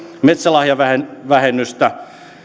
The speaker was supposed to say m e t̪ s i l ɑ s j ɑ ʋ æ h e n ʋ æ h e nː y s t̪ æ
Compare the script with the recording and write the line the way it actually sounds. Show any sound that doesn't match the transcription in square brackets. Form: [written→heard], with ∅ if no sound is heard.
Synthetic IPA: m e t̪ s [i→æ] l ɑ [s→h] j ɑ ʋ æ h e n ʋ æ h e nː y s t̪ æ